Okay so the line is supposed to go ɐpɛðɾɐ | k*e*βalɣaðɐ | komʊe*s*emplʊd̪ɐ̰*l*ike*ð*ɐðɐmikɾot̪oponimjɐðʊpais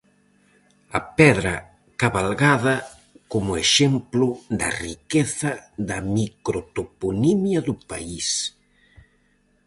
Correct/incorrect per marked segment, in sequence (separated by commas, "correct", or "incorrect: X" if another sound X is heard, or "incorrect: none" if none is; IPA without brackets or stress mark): incorrect: a, incorrect: ʃ, incorrect: r, incorrect: θ